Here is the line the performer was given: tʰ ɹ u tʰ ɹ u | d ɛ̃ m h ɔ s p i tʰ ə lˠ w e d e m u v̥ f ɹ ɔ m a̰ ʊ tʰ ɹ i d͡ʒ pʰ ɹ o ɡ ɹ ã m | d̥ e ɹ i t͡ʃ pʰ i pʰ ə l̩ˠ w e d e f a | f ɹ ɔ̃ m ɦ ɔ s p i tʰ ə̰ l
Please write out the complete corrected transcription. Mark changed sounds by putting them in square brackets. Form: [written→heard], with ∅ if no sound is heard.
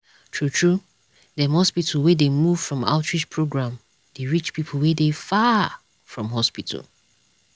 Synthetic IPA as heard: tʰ ɹ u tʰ ɹ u | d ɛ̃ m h ɔ s p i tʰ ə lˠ w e d e m u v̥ f ɹ [ɔ→ɔ̃] m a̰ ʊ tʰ ɹ i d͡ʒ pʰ ɹ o ɡ ɹ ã m | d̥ e ɹ i t͡ʃ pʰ i pʰ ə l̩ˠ w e d e f a | f ɹ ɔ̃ m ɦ ɔ s p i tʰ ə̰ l

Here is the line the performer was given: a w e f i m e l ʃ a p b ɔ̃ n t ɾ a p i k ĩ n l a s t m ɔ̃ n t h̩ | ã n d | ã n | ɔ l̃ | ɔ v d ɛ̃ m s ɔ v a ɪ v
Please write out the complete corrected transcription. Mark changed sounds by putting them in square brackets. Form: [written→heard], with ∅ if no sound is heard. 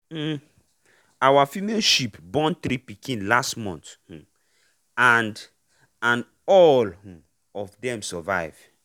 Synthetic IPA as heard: a w [e→a] f i m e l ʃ [a→i] p b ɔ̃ n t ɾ [a→i] p i k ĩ n l a s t m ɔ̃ n t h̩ | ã n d | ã n | ɔ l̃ | ɔ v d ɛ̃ m s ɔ v a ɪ v

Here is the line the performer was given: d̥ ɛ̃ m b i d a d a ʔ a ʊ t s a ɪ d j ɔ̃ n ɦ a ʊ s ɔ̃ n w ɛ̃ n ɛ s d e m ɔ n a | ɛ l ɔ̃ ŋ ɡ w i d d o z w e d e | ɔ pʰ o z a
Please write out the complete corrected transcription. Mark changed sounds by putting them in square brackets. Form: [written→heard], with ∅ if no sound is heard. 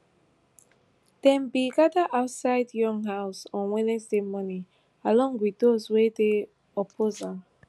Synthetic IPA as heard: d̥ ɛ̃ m b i [d→ɡ] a d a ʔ a ʊ t s a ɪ d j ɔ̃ [n→ŋ] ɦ a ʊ s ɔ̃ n w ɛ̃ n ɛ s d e m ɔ n [a→i] | [ɛ→a] l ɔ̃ ŋ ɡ w i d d o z w e d e | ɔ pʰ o z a

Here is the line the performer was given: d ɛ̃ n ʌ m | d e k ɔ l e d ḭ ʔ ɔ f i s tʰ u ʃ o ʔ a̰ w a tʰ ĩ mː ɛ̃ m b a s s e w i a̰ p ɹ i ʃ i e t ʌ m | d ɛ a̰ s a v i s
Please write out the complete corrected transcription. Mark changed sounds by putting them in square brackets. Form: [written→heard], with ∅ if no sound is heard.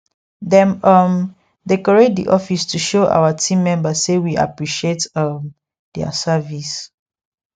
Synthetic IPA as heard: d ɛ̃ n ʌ m | d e k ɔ [l→ɹ] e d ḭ ʔ ɔ f i s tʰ u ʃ o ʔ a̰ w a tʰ ĩ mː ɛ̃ m b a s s e w i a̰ p ɹ i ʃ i e t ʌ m | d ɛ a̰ s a v i s

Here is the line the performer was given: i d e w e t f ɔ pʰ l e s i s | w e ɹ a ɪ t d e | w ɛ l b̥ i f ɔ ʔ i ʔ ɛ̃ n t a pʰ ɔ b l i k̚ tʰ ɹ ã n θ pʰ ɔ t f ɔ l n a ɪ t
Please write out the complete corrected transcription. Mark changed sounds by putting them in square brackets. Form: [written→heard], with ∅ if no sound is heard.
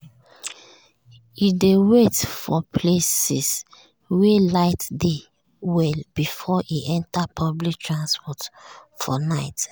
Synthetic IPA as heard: i d e w e t f ɔ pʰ l e s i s | w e [ɹ→l] a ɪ t d e | w ɛ l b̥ i f ɔ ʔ i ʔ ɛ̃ n t a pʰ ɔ b l i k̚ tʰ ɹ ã n [θ→s] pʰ ɔ t f ɔ [l→∅] n a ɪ t

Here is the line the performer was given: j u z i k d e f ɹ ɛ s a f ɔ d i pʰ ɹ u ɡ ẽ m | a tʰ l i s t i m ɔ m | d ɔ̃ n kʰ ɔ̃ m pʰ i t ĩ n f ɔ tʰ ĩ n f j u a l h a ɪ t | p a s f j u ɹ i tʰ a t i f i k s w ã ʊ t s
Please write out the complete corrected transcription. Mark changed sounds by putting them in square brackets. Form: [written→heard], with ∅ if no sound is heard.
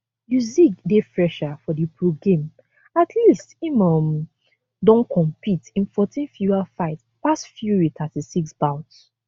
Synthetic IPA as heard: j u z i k d e f ɹ ɛ [s→ʃ] a f ɔ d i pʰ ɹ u ɡ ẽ m | a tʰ l i s t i m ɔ m | d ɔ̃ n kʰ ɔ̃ m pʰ i t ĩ n f ɔ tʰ ĩ n f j u a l [h→f] a ɪ t | p a s f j u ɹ i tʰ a t i [f→s] i k s [w→b] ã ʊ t s

